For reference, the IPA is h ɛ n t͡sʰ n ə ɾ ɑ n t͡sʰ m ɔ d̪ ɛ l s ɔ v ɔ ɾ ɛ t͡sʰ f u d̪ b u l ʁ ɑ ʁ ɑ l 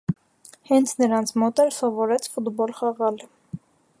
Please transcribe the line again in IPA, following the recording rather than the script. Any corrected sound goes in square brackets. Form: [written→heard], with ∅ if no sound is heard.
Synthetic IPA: h ɛ n t͡sʰ n ə ɾ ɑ n t͡sʰ m ɔ [d̪→t̪] ɛ l s ɔ v ɔ ɾ ɛ t͡sʰ f u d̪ b [u→ɔ] l [ʁ→χ] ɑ ʁ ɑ l